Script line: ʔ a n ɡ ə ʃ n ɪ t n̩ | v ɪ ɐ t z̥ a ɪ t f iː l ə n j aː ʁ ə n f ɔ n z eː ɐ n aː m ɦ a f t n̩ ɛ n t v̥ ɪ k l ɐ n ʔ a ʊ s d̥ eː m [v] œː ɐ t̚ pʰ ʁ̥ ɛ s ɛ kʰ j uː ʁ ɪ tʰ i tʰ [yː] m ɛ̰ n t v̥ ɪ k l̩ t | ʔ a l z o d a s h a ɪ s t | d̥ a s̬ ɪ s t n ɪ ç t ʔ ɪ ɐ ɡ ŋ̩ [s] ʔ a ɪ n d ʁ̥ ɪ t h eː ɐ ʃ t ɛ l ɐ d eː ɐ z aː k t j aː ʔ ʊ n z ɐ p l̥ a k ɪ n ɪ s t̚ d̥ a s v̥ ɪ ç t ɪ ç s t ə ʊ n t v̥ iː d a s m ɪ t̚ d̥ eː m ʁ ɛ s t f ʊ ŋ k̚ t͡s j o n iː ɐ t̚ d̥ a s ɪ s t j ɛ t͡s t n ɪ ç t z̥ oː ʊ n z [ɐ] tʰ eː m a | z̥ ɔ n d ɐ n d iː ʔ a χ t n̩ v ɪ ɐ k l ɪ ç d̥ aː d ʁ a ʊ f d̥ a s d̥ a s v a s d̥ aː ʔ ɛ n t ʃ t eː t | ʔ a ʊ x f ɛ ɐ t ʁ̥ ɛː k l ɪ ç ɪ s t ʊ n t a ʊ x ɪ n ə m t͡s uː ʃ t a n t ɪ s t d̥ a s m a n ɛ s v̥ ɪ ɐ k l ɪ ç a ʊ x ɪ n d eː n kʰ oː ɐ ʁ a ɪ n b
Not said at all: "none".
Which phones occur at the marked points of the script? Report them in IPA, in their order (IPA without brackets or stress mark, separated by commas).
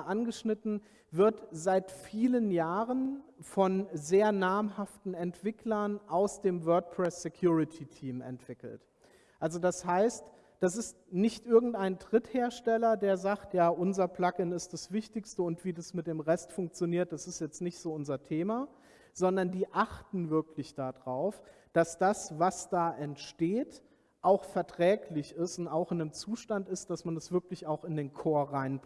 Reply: v, iː, t, ɐ